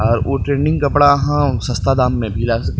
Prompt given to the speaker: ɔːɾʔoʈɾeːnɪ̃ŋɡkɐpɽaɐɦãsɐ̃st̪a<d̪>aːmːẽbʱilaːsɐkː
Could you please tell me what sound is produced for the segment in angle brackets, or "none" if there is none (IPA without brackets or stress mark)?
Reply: d̪